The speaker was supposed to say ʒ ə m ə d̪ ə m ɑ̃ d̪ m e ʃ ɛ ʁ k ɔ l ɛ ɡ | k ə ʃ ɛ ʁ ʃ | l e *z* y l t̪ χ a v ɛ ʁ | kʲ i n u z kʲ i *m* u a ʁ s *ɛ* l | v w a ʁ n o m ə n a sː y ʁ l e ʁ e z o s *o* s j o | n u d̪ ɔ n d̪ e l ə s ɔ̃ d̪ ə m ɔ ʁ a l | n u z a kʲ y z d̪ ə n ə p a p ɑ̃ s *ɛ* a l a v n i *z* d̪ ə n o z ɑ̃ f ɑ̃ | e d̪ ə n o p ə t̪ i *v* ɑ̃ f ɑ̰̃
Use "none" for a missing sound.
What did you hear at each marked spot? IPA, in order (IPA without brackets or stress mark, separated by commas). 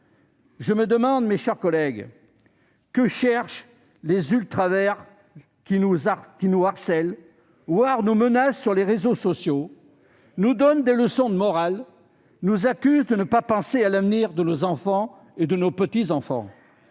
z, n, ɛ, ɔ, e, ʁ, z